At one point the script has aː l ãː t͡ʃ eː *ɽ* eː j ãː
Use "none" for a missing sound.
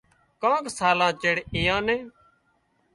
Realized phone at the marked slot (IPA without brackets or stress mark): ɽ